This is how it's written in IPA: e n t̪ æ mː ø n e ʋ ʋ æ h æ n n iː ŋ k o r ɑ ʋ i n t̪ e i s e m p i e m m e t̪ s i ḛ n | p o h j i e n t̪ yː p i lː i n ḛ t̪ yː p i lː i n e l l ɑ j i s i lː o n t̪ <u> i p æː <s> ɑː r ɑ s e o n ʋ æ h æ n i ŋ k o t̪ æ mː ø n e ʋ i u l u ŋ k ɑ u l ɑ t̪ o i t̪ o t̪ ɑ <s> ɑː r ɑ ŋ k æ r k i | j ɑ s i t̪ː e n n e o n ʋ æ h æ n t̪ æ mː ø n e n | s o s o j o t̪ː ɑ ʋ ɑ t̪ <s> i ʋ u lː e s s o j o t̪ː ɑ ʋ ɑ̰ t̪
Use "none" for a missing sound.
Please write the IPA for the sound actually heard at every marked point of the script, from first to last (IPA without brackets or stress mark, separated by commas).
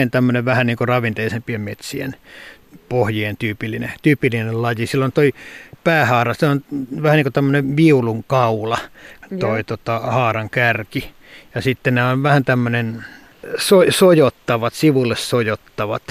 o, h, h, s